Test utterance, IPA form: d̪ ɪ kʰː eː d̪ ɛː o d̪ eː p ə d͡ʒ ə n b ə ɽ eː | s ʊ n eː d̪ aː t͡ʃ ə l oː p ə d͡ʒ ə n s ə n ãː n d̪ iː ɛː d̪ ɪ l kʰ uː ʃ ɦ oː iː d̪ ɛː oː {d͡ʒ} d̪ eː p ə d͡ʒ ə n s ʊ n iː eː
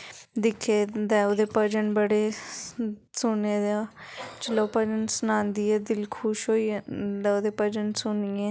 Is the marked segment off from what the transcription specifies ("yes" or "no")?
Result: yes